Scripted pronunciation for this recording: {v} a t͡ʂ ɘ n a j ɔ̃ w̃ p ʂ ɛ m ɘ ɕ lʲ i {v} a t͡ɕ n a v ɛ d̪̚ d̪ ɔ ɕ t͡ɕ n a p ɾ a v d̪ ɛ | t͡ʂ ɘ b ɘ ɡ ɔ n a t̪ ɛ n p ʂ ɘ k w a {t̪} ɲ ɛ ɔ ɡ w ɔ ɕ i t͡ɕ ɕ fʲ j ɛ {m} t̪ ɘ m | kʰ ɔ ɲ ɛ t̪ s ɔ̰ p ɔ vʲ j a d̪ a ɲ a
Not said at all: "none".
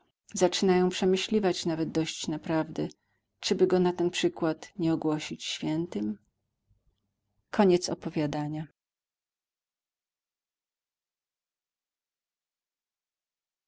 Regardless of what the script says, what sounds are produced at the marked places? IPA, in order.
z, v, t̪, n

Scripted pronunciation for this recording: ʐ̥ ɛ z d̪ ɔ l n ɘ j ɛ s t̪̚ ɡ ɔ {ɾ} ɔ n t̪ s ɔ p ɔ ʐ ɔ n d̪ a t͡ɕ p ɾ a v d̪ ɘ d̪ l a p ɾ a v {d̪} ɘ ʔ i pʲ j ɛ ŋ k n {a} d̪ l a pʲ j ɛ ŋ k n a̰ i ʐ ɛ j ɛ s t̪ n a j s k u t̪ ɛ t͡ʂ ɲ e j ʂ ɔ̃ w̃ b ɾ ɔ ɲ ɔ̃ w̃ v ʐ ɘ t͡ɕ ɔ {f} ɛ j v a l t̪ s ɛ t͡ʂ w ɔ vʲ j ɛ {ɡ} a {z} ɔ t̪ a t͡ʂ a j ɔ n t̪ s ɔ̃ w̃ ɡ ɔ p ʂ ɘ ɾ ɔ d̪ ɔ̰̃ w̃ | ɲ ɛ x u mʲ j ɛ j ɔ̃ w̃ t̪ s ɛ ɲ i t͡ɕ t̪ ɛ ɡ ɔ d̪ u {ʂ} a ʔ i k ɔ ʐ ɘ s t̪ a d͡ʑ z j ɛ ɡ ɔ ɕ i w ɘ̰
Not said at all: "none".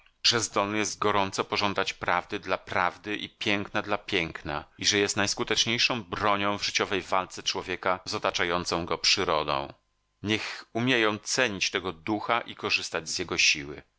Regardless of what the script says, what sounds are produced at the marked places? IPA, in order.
ɾ, d̪, a, v, k, z, x

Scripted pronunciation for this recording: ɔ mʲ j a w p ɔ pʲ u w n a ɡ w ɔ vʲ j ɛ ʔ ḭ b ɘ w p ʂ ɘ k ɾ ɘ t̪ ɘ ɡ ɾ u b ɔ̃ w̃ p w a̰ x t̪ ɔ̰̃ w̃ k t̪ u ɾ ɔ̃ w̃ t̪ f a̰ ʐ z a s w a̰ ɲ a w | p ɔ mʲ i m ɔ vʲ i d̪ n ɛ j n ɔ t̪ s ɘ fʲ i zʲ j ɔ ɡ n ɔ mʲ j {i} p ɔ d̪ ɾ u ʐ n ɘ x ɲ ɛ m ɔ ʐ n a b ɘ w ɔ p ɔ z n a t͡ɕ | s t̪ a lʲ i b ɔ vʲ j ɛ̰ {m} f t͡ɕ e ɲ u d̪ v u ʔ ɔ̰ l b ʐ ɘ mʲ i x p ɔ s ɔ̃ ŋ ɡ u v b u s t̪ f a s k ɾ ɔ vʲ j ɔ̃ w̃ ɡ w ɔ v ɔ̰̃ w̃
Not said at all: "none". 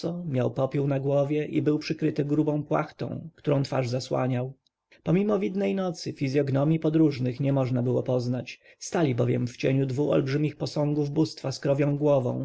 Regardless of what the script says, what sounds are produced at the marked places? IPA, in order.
i, m

